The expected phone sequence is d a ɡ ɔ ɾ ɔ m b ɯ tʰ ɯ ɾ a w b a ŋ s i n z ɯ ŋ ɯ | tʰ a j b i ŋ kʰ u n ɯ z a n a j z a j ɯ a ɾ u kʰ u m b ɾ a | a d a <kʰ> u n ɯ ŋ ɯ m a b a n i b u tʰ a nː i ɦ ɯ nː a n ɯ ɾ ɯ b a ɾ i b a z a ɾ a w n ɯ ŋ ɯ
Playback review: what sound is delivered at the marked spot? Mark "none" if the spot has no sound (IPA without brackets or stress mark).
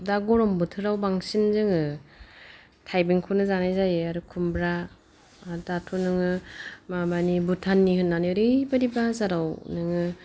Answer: tʰ